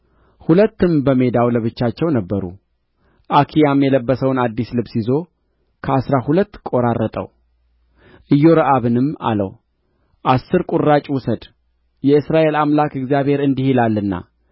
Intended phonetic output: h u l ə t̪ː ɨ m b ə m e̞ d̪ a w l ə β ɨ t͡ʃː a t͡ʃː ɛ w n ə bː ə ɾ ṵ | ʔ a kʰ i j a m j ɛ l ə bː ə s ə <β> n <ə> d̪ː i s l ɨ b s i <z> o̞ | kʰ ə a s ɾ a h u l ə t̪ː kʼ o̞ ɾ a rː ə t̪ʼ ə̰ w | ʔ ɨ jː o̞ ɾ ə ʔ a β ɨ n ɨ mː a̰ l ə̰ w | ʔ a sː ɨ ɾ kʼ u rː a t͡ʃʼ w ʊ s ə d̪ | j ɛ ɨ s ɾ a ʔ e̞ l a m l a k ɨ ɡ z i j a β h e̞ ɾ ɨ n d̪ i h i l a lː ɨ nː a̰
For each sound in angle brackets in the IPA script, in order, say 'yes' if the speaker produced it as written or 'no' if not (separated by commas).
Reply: no, no, yes